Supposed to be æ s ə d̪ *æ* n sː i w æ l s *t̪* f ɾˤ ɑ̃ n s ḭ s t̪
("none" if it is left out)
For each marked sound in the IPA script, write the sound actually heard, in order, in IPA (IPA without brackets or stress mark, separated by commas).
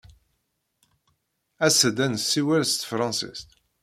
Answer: æ, t̪